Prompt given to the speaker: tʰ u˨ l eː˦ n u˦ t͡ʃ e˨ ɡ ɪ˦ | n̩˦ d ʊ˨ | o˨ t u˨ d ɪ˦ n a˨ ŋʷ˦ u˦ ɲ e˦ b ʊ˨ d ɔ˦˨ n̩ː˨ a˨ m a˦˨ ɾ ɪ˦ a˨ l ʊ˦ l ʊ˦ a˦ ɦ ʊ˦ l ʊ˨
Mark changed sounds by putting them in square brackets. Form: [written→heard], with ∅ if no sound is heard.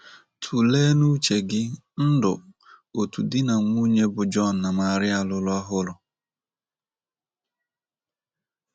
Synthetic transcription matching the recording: tʰ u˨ l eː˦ n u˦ t͡ʃ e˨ ɡ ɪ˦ | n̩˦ d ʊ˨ | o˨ t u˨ d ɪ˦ n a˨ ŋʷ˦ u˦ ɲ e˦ b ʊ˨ [d→d͡ʒ] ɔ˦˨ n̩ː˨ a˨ m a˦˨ ɾ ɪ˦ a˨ l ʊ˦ l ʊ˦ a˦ ɦ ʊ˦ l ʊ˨